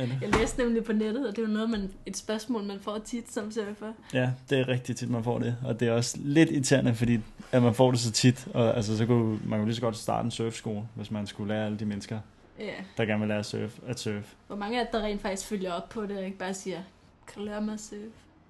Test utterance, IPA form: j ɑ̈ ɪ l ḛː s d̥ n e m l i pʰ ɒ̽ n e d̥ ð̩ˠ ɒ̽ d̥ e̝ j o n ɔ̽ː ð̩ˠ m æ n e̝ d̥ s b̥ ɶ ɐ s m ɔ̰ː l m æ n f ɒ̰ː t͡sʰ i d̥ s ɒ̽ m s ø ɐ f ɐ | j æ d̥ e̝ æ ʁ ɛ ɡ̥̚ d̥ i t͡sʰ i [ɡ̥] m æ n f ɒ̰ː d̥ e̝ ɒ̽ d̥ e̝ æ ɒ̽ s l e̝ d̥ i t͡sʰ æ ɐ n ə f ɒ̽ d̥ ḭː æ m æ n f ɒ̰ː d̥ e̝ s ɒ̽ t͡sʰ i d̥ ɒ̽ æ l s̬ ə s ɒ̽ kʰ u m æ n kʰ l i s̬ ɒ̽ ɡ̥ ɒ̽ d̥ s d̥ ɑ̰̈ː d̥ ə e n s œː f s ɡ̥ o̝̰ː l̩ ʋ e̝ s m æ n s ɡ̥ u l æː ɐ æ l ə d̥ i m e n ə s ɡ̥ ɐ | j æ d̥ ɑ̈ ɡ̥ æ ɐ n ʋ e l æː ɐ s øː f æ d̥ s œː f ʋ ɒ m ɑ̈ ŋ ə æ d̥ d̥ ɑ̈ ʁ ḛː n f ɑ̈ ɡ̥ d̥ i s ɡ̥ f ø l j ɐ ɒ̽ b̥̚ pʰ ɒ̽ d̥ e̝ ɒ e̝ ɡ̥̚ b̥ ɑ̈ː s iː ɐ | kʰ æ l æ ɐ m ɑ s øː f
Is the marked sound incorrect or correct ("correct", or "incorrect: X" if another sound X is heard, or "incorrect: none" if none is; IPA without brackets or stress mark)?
incorrect: d̥